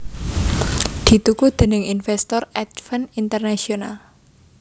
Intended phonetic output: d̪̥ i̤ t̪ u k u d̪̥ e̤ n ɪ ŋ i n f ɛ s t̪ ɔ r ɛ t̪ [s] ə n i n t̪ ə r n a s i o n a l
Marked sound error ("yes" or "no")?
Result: yes